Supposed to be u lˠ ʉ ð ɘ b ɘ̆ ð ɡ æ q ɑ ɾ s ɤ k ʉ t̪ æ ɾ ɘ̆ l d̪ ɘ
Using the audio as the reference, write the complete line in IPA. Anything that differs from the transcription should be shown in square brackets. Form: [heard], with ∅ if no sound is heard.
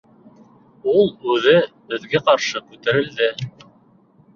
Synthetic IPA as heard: u lˠ ʉ ð ɘ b ɘ̆ ð ɡ æ q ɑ ɾ [ʃ] ɤ k ʉ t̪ æ ɾ ɘ̆ l d̪ ɘ

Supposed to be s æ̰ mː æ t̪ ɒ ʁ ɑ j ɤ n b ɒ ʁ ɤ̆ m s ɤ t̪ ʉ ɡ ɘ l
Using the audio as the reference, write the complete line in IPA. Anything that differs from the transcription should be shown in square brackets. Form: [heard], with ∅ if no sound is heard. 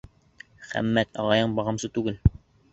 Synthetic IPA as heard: [χ] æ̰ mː æ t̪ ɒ ʁ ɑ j ɤ [ɴ] b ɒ ʁ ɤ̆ m s ɤ t̪ ʉ ɡ ɘ l

